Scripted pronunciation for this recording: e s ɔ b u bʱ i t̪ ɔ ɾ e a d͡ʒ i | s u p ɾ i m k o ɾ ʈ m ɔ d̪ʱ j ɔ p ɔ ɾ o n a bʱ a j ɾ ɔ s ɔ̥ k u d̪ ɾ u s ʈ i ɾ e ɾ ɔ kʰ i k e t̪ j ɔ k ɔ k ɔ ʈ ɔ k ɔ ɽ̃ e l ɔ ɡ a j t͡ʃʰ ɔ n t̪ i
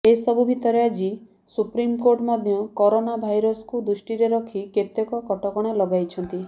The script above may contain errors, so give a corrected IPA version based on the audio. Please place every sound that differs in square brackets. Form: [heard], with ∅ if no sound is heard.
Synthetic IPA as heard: e s ɔ b u bʱ i t̪ ɔ ɾ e a d͡ʒ i | s u p ɾ i m k o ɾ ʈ m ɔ d̪ʱ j ɔ [k] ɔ ɾ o n a bʱ a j ɾ ɔ s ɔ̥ k u d̪ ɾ u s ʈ i ɾ e ɾ ɔ kʰ i k e t̪ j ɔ k ɔ k ɔ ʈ ɔ k ɔ ɽ̃ e l ɔ ɡ a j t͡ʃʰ ɔ n t̪ i

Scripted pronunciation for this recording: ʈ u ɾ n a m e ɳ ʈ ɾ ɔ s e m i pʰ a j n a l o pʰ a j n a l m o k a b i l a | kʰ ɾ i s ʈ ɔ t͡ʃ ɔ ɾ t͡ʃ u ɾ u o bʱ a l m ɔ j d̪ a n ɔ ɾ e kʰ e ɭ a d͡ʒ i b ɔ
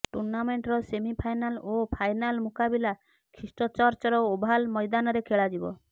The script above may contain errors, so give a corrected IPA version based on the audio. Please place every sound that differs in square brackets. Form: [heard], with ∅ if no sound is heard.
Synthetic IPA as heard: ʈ u ɾ n a m e ɳ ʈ ɾ ɔ s e m i pʰ a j n a l o pʰ a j n a l m [u] k a b i l a | kʰ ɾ i s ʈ ɔ t͡ʃ ɔ ɾ t͡ʃ [ɔ] ɾ [ɔ] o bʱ a l m ɔ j d̪ a n ɔ ɾ e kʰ e ɭ a d͡ʒ i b ɔ

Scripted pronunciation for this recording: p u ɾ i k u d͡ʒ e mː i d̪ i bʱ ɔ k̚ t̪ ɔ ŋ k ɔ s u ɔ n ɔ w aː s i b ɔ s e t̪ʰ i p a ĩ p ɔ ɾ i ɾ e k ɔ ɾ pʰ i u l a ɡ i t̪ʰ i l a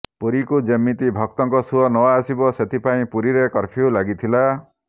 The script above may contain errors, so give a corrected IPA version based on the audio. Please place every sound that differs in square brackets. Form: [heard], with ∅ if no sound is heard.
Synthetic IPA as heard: p u ɾ i k u d͡ʒ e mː i [t̪] i bʱ ɔ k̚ t̪ ɔ ŋ k ɔ s u ɔ n ɔ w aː s i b ɔ s e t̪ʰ i p a ĩ p [u] ɾ i ɾ e k ɔ ɾ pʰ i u l a ɡ i t̪ʰ i l a

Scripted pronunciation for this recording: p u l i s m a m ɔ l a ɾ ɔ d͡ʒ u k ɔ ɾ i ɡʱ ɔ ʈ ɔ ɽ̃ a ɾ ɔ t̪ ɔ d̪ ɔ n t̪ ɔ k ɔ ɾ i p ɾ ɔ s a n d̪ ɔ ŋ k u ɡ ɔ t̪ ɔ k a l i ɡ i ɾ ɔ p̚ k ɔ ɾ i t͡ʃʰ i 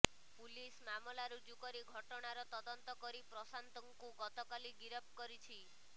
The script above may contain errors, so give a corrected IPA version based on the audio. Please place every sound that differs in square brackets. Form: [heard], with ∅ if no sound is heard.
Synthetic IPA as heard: p u l i s m a m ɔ l a ɾ [u] d͡ʒ u k ɔ ɾ i ɡʱ ɔ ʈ ɔ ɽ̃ a ɾ ɔ t̪ ɔ d̪ ɔ n t̪ ɔ k ɔ ɾ i p ɾ ɔ s a n [t̪] ɔ ŋ k u ɡ ɔ t̪ ɔ k a l i ɡ i ɾ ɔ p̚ k ɔ ɾ i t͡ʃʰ i

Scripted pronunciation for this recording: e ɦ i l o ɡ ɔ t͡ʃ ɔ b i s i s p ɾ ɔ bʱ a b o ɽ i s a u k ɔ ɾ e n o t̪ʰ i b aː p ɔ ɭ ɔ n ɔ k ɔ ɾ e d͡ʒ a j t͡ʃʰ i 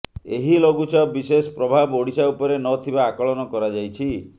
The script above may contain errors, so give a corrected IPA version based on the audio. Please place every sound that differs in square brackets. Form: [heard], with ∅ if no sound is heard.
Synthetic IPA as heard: e ɦ i l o ɡ [u] t͡ʃ ɔ b i s [e] s p ɾ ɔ bʱ a b o ɽ i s a u [p] ɔ ɾ e n [ɔ] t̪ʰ i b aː [k] ɔ ɭ ɔ n ɔ k ɔ ɾ [a] d͡ʒ a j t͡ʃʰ i

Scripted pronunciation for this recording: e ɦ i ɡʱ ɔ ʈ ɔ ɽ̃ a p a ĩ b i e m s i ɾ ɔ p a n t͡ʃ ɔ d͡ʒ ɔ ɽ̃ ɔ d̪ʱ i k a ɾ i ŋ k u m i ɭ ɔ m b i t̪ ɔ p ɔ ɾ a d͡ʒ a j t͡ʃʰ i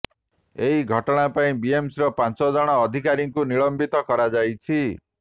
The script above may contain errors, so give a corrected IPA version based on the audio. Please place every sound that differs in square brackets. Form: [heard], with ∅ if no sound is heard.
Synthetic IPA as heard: e ɦ i ɡʱ ɔ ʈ ɔ ɽ̃ a p a ĩ b i e m s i ɾ ɔ p a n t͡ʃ ɔ d͡ʒ ɔ ɽ̃ [ɔː] d̪ʱ i k a ɾ i ŋ k u [n] i ɭ ɔ m b i t̪ ɔ [k] ɔ ɾ a d͡ʒ a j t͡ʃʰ i

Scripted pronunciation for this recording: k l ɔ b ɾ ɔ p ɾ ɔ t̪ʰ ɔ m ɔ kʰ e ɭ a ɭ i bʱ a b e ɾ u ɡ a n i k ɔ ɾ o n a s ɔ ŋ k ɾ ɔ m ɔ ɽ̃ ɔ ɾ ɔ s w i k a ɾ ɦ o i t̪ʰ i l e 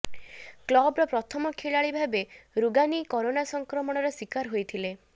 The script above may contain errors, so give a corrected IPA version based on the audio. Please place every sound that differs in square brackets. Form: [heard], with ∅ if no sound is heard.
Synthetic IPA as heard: k l ɔ b ɾ ɔ p ɾ ɔ t̪ʰ ɔ m ɔ kʰ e ɭ a ɭ i bʱ a b e ɾ u ɡ a n i k ɔ ɾ o n a s ɔ ŋ k ɾ ɔ m ɔ ɽ̃ ɔ ɾ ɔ s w i k a ɾ ɦ o [j] t̪ʰ i l e

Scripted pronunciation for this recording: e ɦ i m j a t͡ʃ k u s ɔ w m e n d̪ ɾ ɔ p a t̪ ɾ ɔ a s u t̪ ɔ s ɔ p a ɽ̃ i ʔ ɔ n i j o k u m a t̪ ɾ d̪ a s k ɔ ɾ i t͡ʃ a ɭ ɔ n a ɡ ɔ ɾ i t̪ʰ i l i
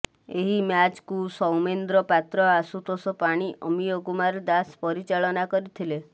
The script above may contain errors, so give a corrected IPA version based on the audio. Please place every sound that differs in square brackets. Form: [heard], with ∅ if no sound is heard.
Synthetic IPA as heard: e ɦ i m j a t͡ʃ k u s ɔ w m e n d̪ ɾ ɔ p a t̪ ɾ ɔ a s u t̪ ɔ s ɔ p a ɽ̃ i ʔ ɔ [m] i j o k u m a [∅] ɾ d̪ a s [p] ɔ ɾ i t͡ʃ a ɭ ɔ n a [k] ɔ ɾ i t̪ʰ i l [e]

